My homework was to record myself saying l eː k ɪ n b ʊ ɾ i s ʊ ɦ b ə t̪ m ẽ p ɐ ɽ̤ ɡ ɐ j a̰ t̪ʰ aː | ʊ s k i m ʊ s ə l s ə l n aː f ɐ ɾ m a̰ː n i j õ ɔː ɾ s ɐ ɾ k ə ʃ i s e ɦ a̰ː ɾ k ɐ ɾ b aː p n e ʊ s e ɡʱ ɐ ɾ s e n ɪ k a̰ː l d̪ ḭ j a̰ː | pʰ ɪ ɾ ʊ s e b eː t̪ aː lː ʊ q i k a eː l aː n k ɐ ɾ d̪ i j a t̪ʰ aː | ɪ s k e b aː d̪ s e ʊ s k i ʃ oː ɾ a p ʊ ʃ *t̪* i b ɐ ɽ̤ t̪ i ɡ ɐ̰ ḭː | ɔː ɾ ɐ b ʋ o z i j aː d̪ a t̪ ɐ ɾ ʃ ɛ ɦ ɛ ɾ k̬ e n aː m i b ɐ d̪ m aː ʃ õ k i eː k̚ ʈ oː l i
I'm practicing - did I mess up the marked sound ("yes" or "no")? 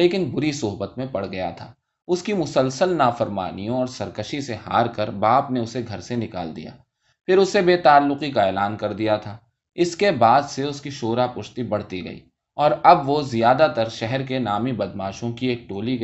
no